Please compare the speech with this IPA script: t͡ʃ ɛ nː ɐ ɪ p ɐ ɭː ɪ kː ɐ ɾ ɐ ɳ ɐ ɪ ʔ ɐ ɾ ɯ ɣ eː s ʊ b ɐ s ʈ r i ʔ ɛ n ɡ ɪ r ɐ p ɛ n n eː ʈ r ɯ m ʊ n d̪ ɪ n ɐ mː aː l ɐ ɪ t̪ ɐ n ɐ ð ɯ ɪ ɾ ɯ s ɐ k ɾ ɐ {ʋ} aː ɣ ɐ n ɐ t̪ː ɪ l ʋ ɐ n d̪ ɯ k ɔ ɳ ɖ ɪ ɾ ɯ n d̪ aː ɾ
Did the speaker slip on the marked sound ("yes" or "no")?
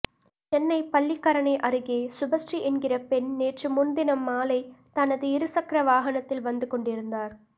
no